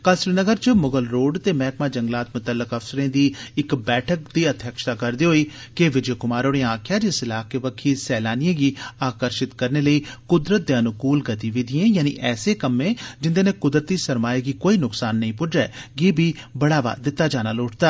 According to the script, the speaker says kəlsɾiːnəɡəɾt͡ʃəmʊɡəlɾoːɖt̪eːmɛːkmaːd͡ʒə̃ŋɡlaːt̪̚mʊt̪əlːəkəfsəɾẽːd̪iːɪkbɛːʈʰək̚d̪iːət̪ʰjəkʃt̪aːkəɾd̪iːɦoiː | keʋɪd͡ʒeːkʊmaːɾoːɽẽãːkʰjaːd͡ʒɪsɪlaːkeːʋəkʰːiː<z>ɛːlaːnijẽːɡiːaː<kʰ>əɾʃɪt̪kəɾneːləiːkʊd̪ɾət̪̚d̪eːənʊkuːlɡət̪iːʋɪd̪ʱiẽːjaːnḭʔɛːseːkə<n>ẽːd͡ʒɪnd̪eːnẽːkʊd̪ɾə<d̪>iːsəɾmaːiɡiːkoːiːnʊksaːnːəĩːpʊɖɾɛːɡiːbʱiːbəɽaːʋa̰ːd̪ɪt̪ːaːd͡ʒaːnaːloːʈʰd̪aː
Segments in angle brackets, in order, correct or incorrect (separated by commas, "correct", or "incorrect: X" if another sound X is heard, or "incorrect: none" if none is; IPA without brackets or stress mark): incorrect: s, incorrect: k, incorrect: m, incorrect: t̪